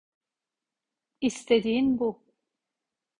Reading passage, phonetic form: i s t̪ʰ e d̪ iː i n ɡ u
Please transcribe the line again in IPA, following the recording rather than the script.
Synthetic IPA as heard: i s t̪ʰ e d̪ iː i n b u